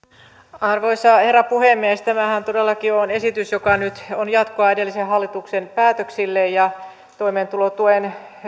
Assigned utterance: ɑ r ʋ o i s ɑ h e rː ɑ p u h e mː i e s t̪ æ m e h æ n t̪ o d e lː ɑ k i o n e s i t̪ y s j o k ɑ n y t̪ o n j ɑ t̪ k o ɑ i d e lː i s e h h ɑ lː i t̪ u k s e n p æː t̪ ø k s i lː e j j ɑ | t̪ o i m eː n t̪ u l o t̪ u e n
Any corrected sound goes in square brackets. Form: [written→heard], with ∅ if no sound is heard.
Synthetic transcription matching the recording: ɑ r ʋ o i s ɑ h e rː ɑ p u h e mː i e s t̪ æ m [e→æ] h æ n t̪ o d e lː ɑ k i o n e s i t̪ y s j o k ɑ n y t̪ o n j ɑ t̪ k o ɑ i d e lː i s e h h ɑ lː i t̪ u k s e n p æː t̪ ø k s i lː e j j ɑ | t̪ o i m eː n t̪ u l o t̪ u e n